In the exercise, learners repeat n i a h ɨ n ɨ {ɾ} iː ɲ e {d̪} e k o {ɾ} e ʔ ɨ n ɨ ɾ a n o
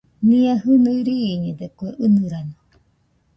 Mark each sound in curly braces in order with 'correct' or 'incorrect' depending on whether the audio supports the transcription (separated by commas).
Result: correct, correct, incorrect